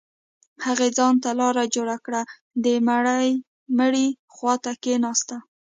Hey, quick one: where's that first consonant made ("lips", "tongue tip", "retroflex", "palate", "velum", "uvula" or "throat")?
throat